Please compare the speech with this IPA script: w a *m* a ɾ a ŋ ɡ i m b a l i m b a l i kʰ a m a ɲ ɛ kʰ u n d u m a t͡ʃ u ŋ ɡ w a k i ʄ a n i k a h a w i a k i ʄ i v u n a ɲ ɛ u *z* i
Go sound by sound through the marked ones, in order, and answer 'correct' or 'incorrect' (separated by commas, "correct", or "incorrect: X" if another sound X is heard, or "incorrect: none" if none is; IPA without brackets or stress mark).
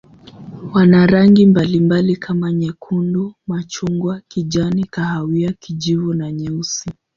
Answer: incorrect: n, incorrect: s